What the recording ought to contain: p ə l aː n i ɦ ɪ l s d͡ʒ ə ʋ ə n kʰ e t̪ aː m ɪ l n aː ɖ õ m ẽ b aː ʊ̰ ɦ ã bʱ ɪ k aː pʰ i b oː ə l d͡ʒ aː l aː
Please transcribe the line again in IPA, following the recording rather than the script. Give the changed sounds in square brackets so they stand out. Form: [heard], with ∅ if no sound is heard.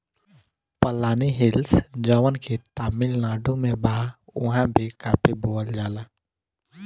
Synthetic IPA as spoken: p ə l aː n i ɦ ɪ l s d͡ʒ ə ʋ ə n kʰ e t̪ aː m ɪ l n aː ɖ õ m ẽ b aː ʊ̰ ɦ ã bʱ [i] k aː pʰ i b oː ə l d͡ʒ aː l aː